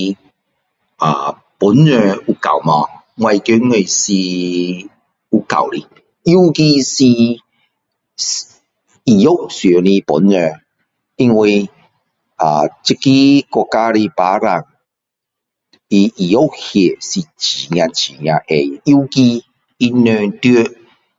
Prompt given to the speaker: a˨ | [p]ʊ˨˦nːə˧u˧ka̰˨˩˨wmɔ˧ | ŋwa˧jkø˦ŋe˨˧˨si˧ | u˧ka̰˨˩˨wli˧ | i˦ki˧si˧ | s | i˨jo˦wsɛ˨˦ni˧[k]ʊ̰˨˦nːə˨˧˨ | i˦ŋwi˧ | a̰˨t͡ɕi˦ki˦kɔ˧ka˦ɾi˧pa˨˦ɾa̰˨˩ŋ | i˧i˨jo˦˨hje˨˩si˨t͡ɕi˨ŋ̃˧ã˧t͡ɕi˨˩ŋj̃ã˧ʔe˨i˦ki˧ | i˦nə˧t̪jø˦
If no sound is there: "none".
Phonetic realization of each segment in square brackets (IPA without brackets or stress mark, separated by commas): p, p